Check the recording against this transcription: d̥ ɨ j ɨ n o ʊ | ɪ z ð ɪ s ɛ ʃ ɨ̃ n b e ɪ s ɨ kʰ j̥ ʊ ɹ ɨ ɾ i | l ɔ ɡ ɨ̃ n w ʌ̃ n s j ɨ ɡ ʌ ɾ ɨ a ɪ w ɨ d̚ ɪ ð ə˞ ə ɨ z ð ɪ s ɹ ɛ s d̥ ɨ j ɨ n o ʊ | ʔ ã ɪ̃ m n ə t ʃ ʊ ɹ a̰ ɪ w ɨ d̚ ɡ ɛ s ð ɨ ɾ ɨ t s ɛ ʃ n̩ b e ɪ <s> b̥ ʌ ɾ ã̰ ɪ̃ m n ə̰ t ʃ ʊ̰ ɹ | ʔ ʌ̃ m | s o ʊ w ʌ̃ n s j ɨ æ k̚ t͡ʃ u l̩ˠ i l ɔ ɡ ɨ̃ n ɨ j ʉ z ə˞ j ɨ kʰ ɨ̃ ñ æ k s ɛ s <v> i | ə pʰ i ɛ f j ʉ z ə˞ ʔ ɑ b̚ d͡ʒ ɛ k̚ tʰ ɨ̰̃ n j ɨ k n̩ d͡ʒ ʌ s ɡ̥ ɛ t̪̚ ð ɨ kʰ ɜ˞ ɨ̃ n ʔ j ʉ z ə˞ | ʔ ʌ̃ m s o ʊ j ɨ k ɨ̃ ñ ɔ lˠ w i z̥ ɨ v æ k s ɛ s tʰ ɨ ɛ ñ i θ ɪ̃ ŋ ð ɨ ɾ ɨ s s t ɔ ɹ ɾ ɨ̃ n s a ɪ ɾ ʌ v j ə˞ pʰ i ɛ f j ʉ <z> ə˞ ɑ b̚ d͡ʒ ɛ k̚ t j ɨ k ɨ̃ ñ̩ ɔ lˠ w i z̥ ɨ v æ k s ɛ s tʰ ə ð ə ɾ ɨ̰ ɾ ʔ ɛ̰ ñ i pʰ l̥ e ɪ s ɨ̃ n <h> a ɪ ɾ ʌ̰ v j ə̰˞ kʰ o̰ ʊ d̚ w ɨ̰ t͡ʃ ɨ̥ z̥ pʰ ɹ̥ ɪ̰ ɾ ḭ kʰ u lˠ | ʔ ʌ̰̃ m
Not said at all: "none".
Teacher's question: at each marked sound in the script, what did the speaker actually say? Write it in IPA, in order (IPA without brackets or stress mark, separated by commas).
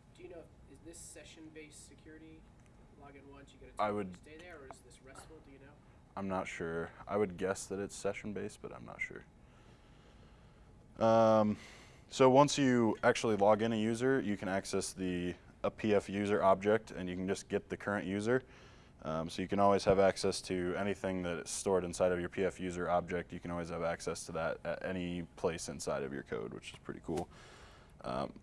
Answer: s, ð, z, s